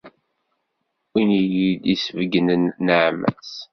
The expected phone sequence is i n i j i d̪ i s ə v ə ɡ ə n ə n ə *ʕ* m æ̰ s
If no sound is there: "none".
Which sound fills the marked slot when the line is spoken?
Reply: ʕ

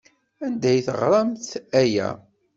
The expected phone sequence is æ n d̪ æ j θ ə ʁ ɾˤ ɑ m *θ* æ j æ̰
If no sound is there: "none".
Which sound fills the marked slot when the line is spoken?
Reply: θ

